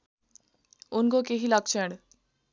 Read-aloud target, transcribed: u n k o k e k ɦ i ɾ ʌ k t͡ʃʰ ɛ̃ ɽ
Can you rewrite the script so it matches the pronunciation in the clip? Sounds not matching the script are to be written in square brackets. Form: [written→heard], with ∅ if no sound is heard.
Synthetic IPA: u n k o k e [k→∅] ɦ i [ɾ→l] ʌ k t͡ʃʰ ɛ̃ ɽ